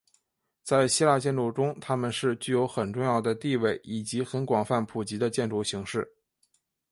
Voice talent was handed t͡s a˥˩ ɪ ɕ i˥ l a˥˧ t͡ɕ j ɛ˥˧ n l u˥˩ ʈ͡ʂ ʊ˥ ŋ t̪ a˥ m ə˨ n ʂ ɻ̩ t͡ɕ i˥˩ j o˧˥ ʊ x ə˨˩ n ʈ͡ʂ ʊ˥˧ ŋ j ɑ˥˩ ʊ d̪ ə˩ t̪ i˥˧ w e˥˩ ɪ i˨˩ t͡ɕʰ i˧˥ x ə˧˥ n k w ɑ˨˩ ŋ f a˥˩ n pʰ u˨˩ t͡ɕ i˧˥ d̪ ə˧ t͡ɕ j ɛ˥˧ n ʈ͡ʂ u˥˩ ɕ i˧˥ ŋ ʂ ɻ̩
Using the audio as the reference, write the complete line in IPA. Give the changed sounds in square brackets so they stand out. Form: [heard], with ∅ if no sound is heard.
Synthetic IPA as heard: t͡s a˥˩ ɪ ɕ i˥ l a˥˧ t͡ɕ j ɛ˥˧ n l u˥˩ ʈ͡ʂ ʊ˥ ŋ [t̪ʰ] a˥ m ə˨ n ʂ ɻ̩ t͡ɕ [y˥˩] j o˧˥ ʊ x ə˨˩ n ʈ͡ʂ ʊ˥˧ ŋ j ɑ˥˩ ʊ d̪ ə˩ t̪ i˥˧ w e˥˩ ɪ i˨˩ [t͡ɕ] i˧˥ x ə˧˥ n k w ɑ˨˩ ŋ f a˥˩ n pʰ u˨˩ t͡ɕ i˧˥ d̪ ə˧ t͡ɕ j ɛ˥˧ n ʈ͡ʂ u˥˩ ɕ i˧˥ ŋ ʂ ɻ̩